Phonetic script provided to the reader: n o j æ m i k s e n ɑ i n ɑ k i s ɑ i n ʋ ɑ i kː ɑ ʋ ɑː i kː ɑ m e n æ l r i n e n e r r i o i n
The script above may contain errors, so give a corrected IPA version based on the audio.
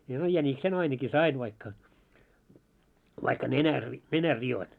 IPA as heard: n o j æ n i k s e n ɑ i n ɑ k i s ɑ i n ʋ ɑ i kː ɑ ʋ ɑ i kː ɑ n e n æ r r i n e n æ r r i o i n

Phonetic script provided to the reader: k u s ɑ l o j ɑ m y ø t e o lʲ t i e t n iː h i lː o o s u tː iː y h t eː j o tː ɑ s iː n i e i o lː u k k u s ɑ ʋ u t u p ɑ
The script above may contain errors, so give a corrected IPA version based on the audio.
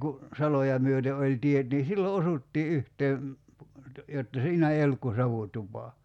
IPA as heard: k u s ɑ l o j ɑ m y ø t e o lʲ t i e t n iː s i lː o o s u tː iː y h t eː j o tː ɑ s iː n æ e i o lː u k k u s ɑ ʋ u t u p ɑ

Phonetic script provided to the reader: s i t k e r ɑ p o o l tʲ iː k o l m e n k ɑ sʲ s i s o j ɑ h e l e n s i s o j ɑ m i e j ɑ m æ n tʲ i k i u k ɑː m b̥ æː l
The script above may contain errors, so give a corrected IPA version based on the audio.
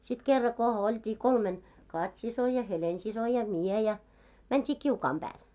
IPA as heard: s i t k e rː ɑ k o o l tʲ iː k o l m e n k ɑ tʲ s i s o j ɑ h e l e n s i s o j ɑ m i e j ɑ m æ n tʲ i k i u k ɑː m b̥ æː l

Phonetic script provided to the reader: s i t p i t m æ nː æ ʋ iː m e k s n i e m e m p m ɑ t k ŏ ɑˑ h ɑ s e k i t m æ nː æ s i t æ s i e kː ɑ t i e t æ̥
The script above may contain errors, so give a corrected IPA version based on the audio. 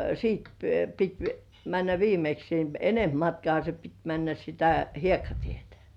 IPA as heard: s iː t p i t m æ nː æ ʋ iː m e k s n i e n e m p m ɑ t k ŏ ɑˑ h ɑ s e p i t m æ nː æ s i t æ h i e kː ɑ t i e t æ̥

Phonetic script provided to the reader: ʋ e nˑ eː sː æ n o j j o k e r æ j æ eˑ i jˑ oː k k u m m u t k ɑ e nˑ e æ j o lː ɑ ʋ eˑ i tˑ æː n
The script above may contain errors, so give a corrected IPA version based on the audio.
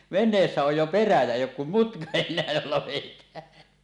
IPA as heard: ʋ e nˑ eː sː æ o j j o p e r æ j æ eˑ i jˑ oː k k u m m u t k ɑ e nˑ e æ j o lː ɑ ʋ eˑ i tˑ æː n

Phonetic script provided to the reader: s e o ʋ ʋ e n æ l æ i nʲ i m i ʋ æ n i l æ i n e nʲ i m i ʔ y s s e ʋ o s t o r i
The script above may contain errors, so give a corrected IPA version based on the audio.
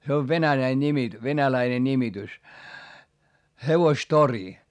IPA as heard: s e o ʋ ʋ e n æ l æ i nʲ i m i ʋ e n æ l æ i n e nʲ i m i t y s h e ʋ o s t o r i

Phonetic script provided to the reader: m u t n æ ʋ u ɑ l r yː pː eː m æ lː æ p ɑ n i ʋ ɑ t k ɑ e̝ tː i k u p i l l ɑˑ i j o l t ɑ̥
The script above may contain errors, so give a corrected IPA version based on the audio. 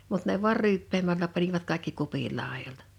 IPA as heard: m u t n e ʋ u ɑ r r yː pː eː m æ lː æ p ɑ n i ʋ ɑ t k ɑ e̝ kː i k u p i l l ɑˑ e j o l t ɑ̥

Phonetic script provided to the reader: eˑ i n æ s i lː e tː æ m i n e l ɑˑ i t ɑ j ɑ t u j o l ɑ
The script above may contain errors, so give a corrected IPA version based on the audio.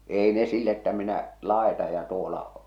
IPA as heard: eˑ i n e s i lː e tː æ m i n æ l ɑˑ e t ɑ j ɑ t u o l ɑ

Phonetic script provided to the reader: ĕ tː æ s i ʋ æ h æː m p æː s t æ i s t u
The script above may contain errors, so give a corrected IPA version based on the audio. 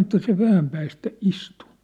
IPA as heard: ĕ tː æ s e ʋ æ h æ m p æː s t æ i s t u

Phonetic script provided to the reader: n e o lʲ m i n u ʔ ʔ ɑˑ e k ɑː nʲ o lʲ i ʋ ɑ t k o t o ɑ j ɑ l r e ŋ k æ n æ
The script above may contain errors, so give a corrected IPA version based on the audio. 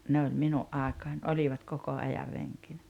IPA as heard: n e o lʲ m i n u ʔ ʔ ɑˑ e k ɑː nʲ o lʲ i ʋ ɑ t k o k o ɑ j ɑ r r e ŋ k i n æ

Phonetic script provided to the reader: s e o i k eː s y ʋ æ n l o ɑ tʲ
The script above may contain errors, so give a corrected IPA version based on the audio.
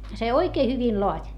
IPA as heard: s e o i k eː h y ʋ i n l o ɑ tʲ

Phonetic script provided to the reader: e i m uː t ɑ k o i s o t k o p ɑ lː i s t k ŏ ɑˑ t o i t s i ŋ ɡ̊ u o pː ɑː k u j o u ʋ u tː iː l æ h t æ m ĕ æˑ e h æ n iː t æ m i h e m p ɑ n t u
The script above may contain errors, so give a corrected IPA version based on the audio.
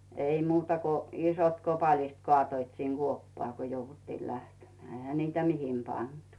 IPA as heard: e i m uː t ɑ k o i s o t k o p ɑ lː i s t k ŏ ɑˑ t o i t s i ŋ ɡ̊ u o pː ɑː k o j o u ʋ u tː iː l æ h t e m ĕ æˑ e h æ n iː t æ m i h e m p ɑ n t u

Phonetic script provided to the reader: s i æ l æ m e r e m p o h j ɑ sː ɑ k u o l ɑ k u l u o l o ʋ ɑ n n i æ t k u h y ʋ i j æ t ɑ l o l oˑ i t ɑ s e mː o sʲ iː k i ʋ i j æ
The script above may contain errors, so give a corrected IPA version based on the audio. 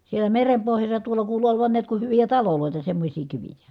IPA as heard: s i e l æ m e r e m p o h j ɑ sː ɑ t u o l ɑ k uː l u o l o ʋ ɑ n n i æ t k u h y ʋ i j æ t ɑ l o l oˑ i t ɑ s e mː o sʲ iː k i ʋ i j æ

